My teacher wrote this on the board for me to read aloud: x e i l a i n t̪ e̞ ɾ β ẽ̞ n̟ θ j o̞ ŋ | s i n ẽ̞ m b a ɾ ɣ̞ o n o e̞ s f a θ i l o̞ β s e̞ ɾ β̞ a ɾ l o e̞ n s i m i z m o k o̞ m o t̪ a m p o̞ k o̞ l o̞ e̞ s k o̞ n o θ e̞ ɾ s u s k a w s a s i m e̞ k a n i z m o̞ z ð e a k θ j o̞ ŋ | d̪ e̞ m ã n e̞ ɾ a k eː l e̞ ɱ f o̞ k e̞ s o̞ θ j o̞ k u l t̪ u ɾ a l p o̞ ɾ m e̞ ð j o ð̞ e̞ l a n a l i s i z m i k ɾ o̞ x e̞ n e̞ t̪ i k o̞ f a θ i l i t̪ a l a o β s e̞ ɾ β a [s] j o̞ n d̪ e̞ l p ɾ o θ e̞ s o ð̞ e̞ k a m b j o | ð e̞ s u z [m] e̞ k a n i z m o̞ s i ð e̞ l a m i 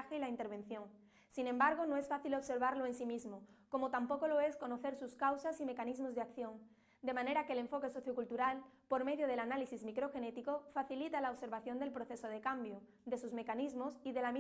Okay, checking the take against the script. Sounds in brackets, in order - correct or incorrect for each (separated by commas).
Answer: incorrect, correct